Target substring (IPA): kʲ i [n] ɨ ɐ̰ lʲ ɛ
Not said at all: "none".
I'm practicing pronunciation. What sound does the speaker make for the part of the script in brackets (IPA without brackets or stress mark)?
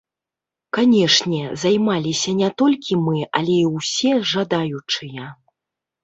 m